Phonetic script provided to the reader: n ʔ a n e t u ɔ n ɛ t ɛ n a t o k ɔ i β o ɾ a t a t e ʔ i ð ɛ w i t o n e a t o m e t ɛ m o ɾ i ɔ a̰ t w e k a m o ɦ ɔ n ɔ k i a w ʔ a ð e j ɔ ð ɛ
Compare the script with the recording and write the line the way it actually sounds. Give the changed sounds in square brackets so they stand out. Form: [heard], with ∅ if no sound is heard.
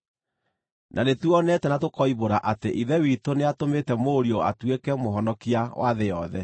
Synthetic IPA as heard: n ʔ a n e t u ɔ n ɛ t ɛ n a t o k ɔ i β o ɾ a [ʔ] a t e ʔ i ð ɛ w i t o n e a t o m e t ɛ m o ɾ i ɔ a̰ t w e k [ɛ] m o ɦ ɔ n ɔ k i a w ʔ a ð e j ɔ ð ɛ